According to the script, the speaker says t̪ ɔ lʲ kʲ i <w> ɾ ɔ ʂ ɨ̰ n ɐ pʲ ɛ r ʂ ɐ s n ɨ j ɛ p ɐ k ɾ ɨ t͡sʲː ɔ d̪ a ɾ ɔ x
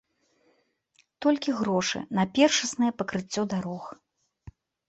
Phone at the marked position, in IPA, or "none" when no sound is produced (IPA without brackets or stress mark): ɣ